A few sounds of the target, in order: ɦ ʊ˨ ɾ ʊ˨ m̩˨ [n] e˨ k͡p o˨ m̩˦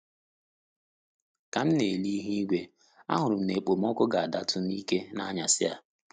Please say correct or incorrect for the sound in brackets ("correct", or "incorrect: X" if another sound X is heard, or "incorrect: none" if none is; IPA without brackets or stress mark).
correct